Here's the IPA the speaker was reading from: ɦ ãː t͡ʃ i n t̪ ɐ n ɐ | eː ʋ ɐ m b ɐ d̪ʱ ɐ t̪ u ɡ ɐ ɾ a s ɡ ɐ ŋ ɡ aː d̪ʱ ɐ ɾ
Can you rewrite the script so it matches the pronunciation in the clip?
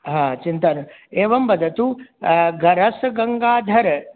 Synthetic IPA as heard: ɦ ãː t͡ʃ i n t̪ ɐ n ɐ | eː ʋ ɐ m b ɐ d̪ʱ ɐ t̪ u ɡ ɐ ɾ ɐ s ɡ ɐ ŋ ɡ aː d̪ʱ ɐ ɾ